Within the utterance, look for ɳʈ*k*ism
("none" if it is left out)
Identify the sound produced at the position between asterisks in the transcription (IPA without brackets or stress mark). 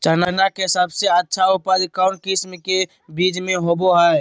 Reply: k